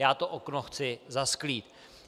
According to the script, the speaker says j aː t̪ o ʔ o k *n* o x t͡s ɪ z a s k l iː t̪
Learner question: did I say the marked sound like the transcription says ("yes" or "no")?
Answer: yes